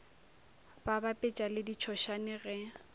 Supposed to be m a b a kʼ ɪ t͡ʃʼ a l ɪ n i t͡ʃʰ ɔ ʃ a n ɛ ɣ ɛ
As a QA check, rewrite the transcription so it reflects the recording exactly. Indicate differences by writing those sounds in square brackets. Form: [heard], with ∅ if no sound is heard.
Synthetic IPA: [b] a b a [pʼ] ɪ t͡ʃʼ a l ɪ [d] i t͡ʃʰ ɔ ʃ a n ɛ ɣ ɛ